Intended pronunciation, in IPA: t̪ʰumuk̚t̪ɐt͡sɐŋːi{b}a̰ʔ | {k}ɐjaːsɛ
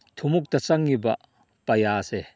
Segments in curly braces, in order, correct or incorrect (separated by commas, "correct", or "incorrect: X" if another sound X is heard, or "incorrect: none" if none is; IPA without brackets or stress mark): correct, incorrect: p